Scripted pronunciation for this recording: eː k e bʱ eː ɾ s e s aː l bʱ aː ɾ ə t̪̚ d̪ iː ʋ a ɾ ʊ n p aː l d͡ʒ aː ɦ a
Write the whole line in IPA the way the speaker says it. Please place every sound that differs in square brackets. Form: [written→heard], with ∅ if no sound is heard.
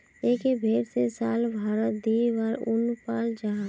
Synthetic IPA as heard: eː k e bʱ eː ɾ s e s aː l bʱ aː ɾ ə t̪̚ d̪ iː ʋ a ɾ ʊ n p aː l d͡ʒ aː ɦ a